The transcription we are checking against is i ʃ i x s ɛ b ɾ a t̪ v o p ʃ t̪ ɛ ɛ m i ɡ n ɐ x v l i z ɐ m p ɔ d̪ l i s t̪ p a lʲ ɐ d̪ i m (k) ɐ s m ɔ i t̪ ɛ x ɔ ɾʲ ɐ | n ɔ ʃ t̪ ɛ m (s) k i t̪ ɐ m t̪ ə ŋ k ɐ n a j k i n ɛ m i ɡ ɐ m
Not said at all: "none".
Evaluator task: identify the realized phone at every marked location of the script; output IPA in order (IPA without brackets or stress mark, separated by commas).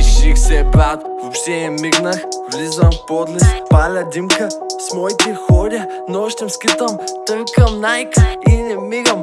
k, s